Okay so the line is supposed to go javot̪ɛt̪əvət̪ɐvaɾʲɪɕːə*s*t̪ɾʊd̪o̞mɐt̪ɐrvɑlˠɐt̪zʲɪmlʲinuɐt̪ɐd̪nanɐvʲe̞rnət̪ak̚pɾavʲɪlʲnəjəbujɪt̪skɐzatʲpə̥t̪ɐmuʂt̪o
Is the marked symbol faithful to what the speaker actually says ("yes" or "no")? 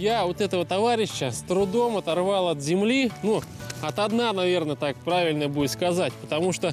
yes